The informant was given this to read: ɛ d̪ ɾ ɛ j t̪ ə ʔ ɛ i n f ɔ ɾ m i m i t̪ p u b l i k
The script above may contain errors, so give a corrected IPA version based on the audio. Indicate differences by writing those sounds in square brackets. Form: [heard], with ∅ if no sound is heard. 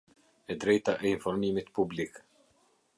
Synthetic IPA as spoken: ɛ d̪ ɾ ɛ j t̪ [a] ʔ ɛ i n f ɔ ɾ m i m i t̪ p u b l i k